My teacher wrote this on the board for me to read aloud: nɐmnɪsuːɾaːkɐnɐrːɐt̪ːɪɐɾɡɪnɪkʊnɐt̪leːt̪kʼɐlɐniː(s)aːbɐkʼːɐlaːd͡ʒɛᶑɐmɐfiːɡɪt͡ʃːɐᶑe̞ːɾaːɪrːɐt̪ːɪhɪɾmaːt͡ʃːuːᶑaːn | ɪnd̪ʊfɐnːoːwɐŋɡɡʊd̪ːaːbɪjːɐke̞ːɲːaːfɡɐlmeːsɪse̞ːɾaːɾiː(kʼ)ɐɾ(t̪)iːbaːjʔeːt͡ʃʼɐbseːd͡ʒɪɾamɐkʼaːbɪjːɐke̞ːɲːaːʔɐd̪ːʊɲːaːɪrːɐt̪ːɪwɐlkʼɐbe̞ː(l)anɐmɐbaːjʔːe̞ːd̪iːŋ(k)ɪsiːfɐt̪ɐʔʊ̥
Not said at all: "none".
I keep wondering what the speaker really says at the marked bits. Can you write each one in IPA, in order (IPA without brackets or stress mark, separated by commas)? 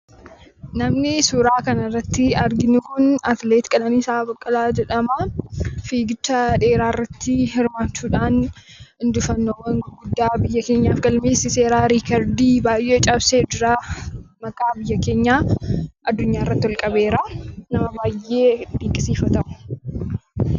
s, k, d̪, ɾ, kʼ